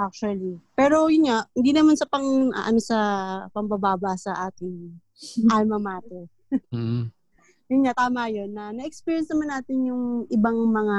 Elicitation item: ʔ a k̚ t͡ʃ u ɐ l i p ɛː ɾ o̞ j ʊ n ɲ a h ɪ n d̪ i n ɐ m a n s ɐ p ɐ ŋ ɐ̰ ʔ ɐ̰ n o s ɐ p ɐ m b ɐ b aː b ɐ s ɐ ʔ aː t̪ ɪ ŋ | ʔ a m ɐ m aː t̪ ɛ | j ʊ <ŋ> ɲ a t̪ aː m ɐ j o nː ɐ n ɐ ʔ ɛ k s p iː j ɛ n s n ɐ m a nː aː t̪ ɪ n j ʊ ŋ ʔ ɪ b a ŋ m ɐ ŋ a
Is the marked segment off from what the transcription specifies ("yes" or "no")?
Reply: yes